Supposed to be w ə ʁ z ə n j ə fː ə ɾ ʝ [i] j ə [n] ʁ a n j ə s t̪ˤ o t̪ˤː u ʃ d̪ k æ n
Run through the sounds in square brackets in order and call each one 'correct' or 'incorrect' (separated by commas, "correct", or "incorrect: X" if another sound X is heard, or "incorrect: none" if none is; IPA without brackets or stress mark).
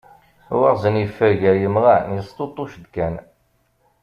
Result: incorrect: æ, incorrect: m